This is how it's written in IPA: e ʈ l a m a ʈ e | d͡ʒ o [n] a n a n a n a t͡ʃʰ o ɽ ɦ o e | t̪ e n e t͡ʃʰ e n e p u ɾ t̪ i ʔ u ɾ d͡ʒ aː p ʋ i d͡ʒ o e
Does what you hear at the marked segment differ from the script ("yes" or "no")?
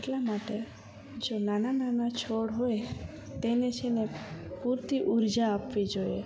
no